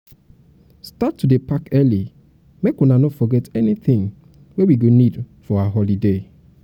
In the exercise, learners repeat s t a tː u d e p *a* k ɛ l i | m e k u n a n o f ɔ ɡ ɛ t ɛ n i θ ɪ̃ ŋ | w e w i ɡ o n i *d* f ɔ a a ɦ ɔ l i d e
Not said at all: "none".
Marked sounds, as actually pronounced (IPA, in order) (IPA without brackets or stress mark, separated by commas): a, d